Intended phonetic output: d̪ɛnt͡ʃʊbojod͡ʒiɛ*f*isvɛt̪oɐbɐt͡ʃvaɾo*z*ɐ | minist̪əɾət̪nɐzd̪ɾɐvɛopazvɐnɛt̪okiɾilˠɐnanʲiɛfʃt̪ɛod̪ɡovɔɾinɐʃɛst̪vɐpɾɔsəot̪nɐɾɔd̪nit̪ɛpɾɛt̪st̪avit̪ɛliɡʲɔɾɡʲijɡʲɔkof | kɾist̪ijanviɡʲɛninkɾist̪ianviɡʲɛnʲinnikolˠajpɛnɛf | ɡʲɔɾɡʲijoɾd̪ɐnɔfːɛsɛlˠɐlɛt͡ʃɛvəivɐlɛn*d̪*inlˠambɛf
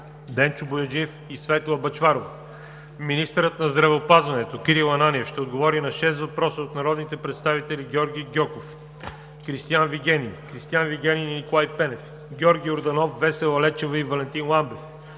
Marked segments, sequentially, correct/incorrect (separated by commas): correct, incorrect, incorrect